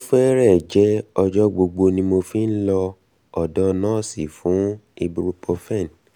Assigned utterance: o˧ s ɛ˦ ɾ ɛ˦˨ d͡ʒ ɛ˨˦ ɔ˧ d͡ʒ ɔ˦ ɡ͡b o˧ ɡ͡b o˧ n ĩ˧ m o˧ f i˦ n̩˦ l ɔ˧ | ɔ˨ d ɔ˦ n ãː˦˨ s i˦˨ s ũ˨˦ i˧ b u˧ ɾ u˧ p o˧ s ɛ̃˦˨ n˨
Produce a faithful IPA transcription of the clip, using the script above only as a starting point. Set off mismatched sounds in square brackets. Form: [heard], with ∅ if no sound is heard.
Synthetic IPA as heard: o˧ [f] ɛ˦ ɾ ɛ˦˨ d͡ʒ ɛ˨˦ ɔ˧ d͡ʒ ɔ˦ ɡ͡b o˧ ɡ͡b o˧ n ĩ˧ m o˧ f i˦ n̩˦ l ɔ˧ | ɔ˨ d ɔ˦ n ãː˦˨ s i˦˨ [f] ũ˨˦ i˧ b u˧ ɾ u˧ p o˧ [f] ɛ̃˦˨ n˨